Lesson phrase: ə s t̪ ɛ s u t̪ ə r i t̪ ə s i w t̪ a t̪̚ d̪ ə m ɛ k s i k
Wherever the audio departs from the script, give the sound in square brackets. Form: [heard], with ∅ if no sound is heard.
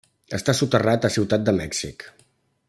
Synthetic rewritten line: ə s t̪ [a] s u t̪ ə r [a] t̪ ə s i w t̪ a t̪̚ d̪ ə m ɛ k s i k